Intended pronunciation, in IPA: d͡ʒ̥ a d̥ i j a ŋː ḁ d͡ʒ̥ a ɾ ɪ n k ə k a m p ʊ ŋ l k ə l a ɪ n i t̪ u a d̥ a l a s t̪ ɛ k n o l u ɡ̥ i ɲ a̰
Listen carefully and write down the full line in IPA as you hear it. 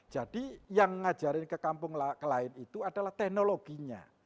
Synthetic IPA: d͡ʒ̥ a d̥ i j a ŋː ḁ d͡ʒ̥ a ɾ ɪ n k ə k a m p ʊ ŋ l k ə l a ɪ n i t̪ u a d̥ a l a h t̪ ɛ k n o l o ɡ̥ i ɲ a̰